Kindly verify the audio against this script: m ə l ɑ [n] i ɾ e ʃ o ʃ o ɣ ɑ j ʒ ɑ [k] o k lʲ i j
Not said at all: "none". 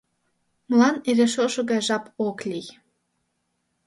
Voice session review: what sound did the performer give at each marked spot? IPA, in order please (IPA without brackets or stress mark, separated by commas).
n, p